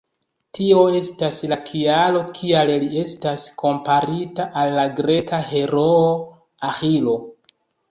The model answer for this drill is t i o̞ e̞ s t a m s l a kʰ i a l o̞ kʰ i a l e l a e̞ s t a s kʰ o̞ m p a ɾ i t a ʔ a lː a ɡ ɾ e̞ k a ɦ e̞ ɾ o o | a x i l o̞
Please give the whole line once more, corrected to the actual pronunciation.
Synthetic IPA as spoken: t i o̞ e̞ s t a s l a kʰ i a l o̞ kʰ i a l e l i e̞ s t a s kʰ o̞ m p a ɾ i t a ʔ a lː a ɡ ɾ e̞ k a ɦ e̞ ɾ o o | a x i l o̞